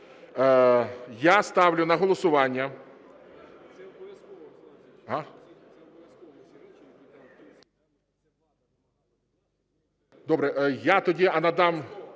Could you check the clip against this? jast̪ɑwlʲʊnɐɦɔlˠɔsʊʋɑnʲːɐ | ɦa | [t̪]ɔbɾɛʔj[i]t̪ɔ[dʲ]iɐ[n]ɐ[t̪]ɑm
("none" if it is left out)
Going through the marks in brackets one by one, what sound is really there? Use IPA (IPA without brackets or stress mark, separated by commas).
d̪, a, dʲ, n, d̪